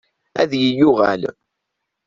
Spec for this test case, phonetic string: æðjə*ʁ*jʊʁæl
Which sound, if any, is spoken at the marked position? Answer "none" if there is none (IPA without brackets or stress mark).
none